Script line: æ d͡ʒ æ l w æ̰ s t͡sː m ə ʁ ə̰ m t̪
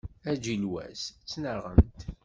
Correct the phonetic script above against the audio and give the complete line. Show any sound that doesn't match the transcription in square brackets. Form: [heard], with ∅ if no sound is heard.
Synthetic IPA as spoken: æ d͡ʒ [i] l w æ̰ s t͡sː [n] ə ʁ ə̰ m t̪